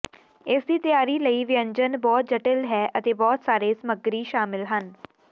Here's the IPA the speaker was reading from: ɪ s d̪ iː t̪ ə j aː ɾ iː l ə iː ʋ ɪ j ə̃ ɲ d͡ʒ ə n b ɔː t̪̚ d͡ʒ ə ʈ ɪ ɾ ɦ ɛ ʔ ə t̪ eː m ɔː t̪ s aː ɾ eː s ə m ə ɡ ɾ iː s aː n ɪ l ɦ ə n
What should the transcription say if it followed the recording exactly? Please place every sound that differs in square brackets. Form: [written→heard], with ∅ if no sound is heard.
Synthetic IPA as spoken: ɪ s d̪ iː t̪ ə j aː ɾ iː l ə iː ʋ ɪ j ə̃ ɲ d͡ʒ ə n b ɔː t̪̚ d͡ʒ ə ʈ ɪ [ɾ→l] ɦ [ɛ→ɛː] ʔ ə t̪ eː [m→b] ɔː t̪ s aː ɾ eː s ə m ə ɡ ɾ iː [s→ʃ] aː [n→m] ɪ l ɦ ə n